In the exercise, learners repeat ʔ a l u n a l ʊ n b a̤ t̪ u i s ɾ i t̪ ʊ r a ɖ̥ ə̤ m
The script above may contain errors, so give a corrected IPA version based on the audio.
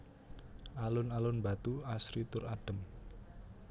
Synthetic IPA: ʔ a l ʊ n a l ʊ n b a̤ t̪ u a s ɾ i t̪ ʊ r a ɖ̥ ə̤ m